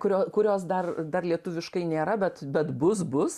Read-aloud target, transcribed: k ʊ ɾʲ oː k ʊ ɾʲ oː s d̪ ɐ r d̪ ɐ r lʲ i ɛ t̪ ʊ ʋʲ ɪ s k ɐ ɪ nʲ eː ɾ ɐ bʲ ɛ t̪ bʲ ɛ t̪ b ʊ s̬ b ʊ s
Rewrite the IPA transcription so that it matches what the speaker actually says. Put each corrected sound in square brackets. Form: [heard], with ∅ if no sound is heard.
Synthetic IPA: k ʊ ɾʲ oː k ʊ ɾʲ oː s d̪ ɐ r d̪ ɐ r lʲ i ɛ t̪ ʊ ʋʲ ɪ [ʃ] k ɐ ɪ nʲ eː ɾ ɐ bʲ ɛ t̪ bʲ ɛ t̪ b ʊ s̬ b ʊ s

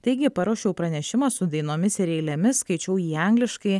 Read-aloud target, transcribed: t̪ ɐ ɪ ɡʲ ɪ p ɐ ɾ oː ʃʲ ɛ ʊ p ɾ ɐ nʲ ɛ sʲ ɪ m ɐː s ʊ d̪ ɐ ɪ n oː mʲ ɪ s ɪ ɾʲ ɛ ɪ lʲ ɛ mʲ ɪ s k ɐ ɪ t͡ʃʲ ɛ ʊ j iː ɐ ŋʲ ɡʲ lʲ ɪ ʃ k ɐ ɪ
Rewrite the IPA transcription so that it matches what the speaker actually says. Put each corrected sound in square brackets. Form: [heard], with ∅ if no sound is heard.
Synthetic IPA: t̪ ɐ ɪ ɡʲ ɪ p ɐ ɾ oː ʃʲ ɛ ʊ p ɾ ɐ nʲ ɛ [ʃʲ] ɪ m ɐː s ʊ d̪ ɐ ɪ n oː mʲ ɪ s ɪ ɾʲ ɛ ɪ lʲ ɛ mʲ ɪ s k ɐ ɪ t͡ʃʲ ɛ ʊ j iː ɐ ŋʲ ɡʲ lʲ ɪ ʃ k ɐ ɪ

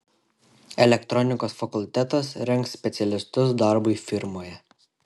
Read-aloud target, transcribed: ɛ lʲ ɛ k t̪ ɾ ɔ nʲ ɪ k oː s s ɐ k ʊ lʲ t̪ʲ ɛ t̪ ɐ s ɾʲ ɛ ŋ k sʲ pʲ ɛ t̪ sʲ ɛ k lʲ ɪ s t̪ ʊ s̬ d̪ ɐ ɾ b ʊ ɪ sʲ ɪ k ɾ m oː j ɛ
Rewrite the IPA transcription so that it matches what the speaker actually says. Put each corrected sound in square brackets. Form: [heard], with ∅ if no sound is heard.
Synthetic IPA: ɛ lʲ ɛ k t̪ ɾ ɔ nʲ ɪ k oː s [f] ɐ k ʊ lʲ t̪ʲ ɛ t̪ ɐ s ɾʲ ɛ ŋ k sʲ pʲ ɛ t̪ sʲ ɛ [∅] lʲ ɪ s t̪ ʊ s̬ d̪ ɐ ɾ b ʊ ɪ [fʲ] ɪ [∅] ɾ m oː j ɛ

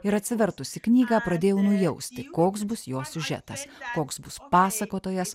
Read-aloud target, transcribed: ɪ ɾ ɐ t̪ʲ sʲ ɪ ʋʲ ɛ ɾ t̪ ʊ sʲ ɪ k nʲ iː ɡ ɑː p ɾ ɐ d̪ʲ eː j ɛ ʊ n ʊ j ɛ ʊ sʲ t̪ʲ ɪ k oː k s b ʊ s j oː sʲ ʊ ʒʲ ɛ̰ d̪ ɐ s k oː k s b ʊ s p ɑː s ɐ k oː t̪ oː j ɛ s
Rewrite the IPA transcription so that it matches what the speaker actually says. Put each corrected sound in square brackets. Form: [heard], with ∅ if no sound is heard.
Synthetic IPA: ɪ ɾ ɐ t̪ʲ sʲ ɪ ʋʲ ɛ ɾ t̪ ʊ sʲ ɪ k nʲ iː ɡ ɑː p ɾ ɐ d̪ʲ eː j ɛ ʊ n ʊ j ɛ ʊ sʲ t̪ʲ ɪ k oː k s b ʊ s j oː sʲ ʊ ʒʲ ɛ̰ [t̪] ɐ s k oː k s b ʊ s p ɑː s ɐ k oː t̪ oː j ɛ s

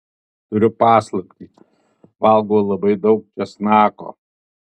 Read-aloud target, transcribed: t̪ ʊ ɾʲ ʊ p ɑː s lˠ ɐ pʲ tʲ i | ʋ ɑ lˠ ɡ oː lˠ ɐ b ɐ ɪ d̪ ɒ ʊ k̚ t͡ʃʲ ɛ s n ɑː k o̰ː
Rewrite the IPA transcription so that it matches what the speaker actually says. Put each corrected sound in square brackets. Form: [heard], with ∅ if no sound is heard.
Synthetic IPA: t̪ ʊ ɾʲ ʊ p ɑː s lˠ ɐ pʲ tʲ i | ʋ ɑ lˠ ɡ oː lˠ ɐ b ɐ ɪ d̪ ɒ ʊ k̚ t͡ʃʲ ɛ s n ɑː k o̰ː

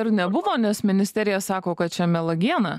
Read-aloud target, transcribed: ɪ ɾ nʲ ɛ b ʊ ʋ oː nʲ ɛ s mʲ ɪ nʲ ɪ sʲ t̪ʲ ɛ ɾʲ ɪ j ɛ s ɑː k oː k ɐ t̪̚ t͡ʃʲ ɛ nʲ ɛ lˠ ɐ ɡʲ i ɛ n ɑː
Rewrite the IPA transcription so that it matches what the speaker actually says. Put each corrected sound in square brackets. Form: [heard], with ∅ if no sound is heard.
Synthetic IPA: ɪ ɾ nʲ ɛ b ʊ ʋ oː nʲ ɛ s mʲ ɪ nʲ ɪ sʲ t̪ʲ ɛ ɾʲ ɪ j ɛ s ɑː k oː k ɐ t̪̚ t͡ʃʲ ɛ [mʲ] ɛ lˠ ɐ ɡʲ i ɛ n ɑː

